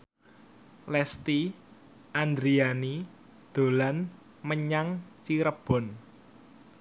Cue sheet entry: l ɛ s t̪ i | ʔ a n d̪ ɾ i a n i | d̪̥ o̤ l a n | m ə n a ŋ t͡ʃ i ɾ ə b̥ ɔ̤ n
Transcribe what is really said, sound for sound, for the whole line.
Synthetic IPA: l ɛ s t̪ i | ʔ a n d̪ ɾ i a n i | d̪̥ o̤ l a n | m ə ɲ a ŋ t͡ʃ i ɾ ə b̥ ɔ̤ n